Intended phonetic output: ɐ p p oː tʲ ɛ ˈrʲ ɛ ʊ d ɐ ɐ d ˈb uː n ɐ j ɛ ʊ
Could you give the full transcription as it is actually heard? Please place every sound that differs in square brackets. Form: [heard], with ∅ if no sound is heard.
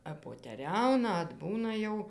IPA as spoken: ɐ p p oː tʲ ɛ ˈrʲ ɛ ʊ [n] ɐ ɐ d ˈb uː n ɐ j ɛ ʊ